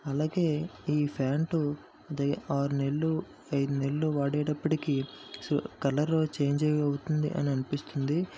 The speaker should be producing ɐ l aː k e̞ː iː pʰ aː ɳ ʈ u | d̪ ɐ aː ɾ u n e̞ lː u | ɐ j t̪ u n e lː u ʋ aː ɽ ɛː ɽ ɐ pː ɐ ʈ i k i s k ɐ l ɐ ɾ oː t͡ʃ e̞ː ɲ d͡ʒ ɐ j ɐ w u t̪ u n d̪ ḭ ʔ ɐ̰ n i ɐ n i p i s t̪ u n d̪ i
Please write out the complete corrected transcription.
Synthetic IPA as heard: ɐ l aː ɡ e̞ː iː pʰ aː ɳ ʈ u | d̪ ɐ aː ɾ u n e̞ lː u | ɐ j d̪ u n e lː u ʋ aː ɽ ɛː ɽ ɐ pː ɐ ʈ i k i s k ɐ l ɐ ɾ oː t͡ʃ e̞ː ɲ d͡ʒ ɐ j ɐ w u t̪ u n d̪ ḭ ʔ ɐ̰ n i ɐ n i p i s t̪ u n d̪ i

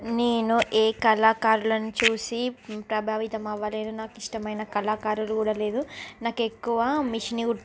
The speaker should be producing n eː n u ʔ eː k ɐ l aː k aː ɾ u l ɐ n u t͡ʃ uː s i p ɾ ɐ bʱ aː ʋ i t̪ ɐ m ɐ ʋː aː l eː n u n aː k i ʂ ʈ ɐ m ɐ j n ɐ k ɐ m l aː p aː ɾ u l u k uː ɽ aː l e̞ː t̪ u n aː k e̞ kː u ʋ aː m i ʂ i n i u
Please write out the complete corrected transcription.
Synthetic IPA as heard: n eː n u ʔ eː k ɐ l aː k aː ɾ u l ɐ n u t͡ʃ uː s i p ɾ ɐ bʱ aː ʋ i t̪ ɐ m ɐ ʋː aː l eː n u n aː k i ʂ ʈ ɐ m ɐ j n ɐ k ɐ l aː k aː ɾ u l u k uː ɽ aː l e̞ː d̪ u n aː k e̞ kː u ʋ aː m i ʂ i n i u

